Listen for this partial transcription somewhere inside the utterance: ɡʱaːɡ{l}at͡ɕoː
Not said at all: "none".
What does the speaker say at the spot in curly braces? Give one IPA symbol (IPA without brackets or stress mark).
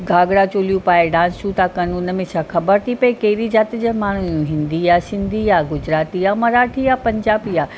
ɽ